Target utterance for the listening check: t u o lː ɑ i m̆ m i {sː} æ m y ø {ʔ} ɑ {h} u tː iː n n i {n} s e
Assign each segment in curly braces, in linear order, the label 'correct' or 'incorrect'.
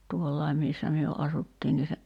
correct, correct, incorrect: s, incorrect: none

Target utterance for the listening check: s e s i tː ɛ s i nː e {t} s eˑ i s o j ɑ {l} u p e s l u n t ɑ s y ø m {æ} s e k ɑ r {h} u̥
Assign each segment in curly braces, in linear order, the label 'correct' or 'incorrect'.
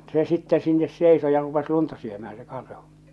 incorrect: s, incorrect: r, incorrect: æː, correct

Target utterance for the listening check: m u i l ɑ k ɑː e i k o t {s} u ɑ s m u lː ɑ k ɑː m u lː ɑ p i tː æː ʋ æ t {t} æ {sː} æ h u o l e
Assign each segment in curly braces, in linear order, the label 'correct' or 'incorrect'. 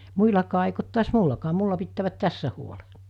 incorrect: t, correct, correct

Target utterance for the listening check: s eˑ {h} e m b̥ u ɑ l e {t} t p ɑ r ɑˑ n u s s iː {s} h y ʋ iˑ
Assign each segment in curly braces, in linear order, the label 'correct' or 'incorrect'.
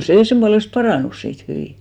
incorrect: s, incorrect: s, incorrect: t

